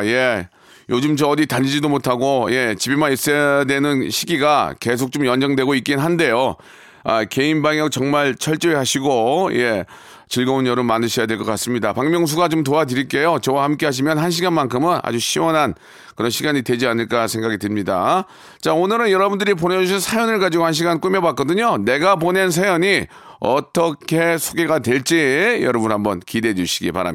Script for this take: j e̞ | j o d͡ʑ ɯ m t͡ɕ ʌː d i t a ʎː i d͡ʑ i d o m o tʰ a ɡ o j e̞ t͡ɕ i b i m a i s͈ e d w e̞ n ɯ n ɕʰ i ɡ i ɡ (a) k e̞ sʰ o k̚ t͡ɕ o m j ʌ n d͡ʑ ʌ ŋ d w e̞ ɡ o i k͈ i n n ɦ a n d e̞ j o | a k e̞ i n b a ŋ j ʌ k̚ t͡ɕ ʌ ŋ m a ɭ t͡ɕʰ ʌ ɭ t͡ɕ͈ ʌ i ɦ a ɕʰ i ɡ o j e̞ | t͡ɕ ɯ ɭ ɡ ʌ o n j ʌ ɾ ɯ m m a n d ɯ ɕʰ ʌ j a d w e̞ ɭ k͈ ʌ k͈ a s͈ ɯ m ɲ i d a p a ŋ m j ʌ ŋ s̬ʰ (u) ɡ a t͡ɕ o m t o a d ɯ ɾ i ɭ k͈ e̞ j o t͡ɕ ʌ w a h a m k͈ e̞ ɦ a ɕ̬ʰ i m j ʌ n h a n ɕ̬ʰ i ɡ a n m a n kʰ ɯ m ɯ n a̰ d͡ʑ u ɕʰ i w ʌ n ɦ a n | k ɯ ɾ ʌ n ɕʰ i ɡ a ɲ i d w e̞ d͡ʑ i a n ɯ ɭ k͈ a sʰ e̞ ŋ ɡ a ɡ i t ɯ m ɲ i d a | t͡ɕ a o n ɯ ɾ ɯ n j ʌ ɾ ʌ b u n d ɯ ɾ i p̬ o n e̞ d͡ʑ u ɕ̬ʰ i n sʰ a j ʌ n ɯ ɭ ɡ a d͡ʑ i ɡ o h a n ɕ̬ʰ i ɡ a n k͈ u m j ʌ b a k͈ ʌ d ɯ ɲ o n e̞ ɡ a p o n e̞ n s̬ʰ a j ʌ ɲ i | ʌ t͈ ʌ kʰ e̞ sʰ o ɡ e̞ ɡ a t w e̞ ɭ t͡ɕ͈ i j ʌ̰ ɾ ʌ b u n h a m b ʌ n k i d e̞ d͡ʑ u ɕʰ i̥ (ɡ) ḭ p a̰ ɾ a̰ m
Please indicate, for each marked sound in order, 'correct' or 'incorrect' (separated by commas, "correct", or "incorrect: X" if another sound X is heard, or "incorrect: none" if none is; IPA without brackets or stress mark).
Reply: correct, correct, correct